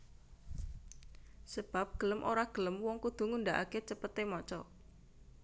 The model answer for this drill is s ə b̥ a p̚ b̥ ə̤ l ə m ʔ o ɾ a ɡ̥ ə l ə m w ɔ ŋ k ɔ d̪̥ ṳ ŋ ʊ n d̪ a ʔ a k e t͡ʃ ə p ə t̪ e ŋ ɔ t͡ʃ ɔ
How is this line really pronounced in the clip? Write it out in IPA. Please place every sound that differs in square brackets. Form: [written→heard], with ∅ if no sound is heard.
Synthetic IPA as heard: s ə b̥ a p̚ [b̥→ɡ̥] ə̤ l ə m ʔ o ɾ a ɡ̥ ə l ə m w ɔ ŋ k [ɔ→u] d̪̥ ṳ ŋ [ʊ→u] n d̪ a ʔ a k e t͡ʃ ə p ə t̪ e [ŋ→m] ɔ t͡ʃ ɔ